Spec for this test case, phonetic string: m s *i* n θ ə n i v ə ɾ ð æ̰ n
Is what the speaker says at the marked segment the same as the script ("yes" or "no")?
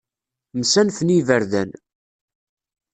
no